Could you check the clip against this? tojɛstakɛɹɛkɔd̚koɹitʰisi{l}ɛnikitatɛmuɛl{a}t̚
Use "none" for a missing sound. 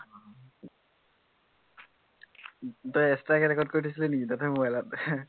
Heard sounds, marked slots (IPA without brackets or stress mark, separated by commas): l, a